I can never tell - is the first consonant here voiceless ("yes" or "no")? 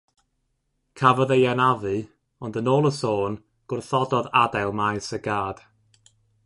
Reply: yes